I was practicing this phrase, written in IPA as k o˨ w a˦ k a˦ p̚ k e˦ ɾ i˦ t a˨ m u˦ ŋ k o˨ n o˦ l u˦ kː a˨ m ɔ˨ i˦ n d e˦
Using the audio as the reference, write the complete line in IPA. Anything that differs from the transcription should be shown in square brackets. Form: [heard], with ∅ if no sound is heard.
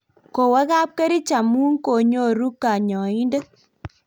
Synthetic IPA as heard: k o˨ w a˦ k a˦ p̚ k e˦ ɾ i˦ [t͡ʃ] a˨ m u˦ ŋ k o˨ [ɲ] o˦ [ɾ] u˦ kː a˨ [ɲ] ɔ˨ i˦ n d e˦